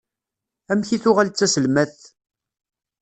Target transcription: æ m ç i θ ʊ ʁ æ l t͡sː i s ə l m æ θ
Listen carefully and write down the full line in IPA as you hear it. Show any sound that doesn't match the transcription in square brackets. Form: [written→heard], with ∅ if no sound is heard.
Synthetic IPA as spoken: æ m ç i θ ʊ ʁ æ l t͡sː [i→æ] s ə l m æ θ